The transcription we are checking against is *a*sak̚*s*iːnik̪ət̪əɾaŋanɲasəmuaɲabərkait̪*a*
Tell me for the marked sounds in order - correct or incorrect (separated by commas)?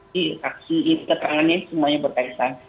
incorrect, correct, correct